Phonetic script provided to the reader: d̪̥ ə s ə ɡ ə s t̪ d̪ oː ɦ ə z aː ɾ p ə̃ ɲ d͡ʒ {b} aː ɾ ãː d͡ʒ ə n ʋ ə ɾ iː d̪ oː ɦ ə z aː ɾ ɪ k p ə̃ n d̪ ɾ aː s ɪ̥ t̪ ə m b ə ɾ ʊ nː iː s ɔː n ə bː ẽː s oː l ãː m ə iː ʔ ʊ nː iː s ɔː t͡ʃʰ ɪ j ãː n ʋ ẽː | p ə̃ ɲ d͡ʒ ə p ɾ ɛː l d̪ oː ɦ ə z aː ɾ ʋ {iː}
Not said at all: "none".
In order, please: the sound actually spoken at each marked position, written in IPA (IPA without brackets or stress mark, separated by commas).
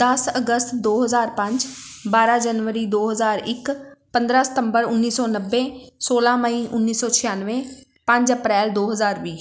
b, iː